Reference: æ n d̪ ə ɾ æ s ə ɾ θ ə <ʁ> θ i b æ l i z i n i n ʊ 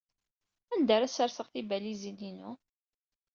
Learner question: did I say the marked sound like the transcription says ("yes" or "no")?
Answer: yes